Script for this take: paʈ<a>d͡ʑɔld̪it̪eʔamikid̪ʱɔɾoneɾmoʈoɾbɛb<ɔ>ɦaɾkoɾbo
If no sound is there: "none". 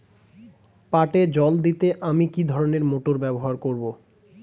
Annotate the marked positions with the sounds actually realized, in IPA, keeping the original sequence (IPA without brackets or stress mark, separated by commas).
e, o